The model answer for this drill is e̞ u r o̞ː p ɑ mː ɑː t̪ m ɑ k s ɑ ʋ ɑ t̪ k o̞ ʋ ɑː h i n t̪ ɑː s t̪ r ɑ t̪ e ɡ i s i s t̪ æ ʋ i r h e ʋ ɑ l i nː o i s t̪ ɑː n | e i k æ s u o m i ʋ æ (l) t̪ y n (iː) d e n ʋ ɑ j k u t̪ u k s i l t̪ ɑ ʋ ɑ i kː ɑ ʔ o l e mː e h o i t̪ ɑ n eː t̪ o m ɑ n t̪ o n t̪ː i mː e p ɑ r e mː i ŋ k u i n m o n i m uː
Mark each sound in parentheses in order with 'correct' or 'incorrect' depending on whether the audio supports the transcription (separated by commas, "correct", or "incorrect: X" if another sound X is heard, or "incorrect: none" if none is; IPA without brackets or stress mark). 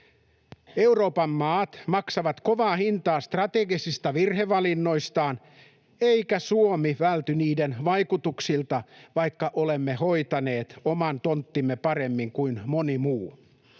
correct, correct